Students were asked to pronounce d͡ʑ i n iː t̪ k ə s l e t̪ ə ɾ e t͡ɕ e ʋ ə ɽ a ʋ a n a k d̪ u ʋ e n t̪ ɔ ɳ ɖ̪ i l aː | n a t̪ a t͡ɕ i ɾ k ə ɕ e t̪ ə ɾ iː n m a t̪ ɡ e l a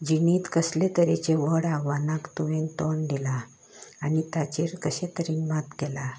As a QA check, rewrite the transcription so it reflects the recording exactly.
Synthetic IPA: d͡ʑ i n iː t̪ k ə s l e t̪ ə ɾ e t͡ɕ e ʋ ə ɽ a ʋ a n a k t̪ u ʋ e n t̪ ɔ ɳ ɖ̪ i l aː | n i t̪ a t͡ɕ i ɾ k ə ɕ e t̪ ə ɾ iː n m a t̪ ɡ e l a